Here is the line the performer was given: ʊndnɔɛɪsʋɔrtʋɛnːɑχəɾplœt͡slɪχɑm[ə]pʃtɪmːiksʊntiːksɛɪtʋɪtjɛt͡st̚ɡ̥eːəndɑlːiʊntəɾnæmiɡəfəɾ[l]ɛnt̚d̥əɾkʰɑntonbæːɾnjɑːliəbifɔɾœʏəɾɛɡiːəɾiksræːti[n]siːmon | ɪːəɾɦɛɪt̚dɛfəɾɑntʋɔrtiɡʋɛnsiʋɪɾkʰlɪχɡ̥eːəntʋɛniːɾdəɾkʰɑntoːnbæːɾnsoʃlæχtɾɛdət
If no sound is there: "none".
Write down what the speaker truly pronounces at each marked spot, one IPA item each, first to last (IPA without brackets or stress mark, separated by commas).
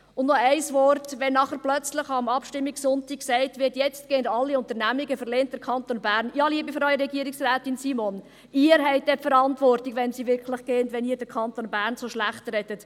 ɑ, l, n